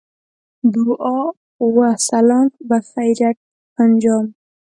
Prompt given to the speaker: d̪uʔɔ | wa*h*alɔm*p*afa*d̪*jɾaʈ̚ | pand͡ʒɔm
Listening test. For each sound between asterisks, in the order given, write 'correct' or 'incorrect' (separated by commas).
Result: incorrect, incorrect, incorrect